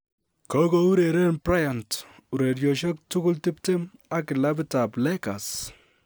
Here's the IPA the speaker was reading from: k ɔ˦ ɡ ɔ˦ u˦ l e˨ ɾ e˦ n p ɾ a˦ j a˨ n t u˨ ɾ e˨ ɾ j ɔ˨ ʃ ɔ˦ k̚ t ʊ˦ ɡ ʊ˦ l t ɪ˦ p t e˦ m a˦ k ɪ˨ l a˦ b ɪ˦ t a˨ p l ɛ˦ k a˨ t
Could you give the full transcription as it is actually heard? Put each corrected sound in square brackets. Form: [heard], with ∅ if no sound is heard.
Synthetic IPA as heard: k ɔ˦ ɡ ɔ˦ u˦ [ɾ] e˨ ɾ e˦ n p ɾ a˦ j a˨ n t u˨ ɾ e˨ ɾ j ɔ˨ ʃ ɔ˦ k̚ t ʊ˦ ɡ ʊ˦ l t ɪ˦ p t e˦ m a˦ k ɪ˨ l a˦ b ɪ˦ t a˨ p l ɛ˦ k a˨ [s]